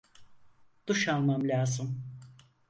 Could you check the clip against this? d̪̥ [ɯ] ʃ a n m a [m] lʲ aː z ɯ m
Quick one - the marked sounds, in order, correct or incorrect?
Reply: incorrect: u, correct

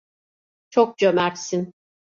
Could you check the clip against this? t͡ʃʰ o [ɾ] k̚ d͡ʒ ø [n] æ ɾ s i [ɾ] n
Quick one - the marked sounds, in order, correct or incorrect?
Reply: incorrect: none, incorrect: m, incorrect: none

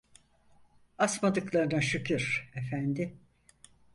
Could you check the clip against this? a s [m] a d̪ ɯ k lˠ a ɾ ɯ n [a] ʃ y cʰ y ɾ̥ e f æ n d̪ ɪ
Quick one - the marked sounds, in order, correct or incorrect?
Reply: correct, correct

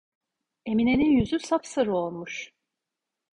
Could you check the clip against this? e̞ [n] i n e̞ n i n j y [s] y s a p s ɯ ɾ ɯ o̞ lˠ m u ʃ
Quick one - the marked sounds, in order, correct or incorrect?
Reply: incorrect: m, incorrect: z

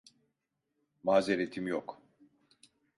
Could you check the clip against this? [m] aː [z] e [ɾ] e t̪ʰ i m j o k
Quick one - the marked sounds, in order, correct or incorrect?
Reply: correct, correct, correct

